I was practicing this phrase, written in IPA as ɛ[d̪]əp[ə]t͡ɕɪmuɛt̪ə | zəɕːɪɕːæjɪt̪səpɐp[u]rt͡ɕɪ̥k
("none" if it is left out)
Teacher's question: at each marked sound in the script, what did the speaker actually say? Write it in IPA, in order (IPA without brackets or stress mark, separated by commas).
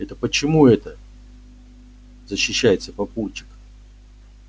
t̪, ə, u